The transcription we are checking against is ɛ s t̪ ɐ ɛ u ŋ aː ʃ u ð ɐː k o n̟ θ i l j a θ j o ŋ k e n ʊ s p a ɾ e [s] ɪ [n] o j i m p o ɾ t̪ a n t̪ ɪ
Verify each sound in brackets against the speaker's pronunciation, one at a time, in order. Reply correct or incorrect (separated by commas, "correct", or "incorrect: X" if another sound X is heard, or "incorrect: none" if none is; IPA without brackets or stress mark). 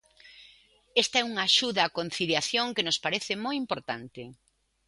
incorrect: θ, incorrect: m